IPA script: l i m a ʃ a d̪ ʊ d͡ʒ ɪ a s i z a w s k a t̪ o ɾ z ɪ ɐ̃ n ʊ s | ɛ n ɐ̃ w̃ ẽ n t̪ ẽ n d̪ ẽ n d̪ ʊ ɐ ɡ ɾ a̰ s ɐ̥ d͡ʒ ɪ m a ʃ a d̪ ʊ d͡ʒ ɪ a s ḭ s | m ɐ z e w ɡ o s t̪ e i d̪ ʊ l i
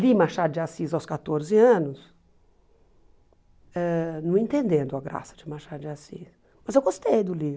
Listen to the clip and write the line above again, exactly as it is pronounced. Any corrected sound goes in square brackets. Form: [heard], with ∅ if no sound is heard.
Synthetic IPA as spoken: l i m a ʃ a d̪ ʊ d͡ʒ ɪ a s i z a w s k a t̪ o ɾ z ɪ ɐ̃ n ʊ s | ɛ n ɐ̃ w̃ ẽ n t̪ ẽ n d̪ ẽ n d̪ ʊ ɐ ɡ ɾ a̰ s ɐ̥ d͡ʒ ɪ m a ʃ a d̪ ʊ d͡ʒ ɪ a s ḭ s | m ɐ z e w ɡ o s t̪ e [j] d̪ ʊ l i